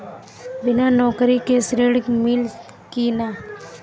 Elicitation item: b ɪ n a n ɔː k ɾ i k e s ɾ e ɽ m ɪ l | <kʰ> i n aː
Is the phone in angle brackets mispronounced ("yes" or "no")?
yes